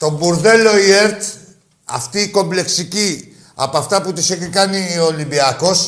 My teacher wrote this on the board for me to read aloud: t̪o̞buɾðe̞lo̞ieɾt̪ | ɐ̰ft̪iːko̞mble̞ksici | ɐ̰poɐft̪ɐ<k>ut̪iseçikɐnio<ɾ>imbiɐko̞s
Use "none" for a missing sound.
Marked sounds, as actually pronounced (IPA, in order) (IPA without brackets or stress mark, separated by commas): p, l